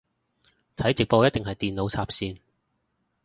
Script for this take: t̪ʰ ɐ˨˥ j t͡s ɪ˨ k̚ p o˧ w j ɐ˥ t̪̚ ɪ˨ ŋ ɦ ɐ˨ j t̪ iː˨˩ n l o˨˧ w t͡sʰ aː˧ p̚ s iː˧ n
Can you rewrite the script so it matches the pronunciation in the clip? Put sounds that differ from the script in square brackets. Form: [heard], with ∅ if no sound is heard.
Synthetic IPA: t̪ʰ ɐ˨˥ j t͡s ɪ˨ k̚ p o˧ w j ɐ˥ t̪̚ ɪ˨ ŋ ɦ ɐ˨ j t̪ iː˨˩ n l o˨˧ w t͡sʰ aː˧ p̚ s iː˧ n